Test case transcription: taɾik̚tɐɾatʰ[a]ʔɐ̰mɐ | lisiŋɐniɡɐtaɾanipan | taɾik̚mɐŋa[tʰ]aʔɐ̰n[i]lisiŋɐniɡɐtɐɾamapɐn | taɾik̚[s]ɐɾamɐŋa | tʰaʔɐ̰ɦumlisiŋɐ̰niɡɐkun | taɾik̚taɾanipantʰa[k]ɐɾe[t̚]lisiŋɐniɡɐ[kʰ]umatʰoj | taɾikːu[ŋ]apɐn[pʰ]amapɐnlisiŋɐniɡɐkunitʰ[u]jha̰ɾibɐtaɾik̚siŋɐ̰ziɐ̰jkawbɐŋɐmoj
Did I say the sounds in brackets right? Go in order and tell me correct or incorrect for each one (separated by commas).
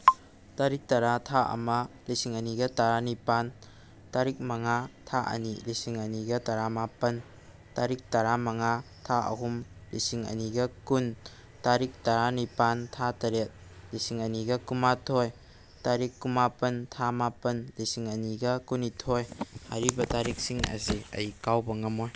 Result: correct, correct, correct, incorrect, incorrect, correct, incorrect, incorrect, incorrect, incorrect